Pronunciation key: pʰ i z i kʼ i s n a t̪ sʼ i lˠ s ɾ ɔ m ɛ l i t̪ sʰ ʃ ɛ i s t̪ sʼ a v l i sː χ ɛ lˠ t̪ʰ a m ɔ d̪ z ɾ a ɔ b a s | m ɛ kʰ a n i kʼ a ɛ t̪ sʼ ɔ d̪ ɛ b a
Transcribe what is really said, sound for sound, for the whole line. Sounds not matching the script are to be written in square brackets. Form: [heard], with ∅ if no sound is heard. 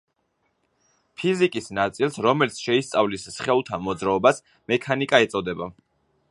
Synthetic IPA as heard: pʰ i z i kʼ i s n a t̪ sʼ i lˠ s ɾ ɔ m ɛ l i t̪ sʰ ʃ ɛ i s t̪ sʼ a v l i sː χ ɛ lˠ t̪ʰ a m ɔ d̪ z ɾ a ɔ b a s | m ɛ kʰ a n i kʼ a ɛ t̪ sʼ ɔ d̪ ɛ b a